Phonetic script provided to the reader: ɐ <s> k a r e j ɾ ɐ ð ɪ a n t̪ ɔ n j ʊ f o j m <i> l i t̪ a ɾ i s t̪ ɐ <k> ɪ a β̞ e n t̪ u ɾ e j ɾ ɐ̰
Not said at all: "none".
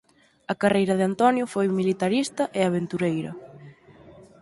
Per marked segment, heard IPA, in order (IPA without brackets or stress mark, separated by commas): none, i, ʔ